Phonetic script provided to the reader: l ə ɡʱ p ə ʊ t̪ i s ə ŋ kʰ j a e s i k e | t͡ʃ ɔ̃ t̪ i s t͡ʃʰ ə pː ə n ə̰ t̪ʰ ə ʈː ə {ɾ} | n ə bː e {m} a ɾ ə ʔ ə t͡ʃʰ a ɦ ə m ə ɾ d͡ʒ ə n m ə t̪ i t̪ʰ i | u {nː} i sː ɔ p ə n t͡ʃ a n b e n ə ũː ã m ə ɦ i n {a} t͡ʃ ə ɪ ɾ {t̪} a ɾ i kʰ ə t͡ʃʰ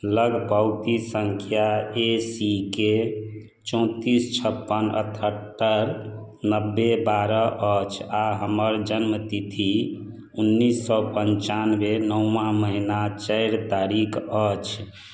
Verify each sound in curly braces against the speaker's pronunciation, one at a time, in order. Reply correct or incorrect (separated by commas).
correct, incorrect, correct, correct, correct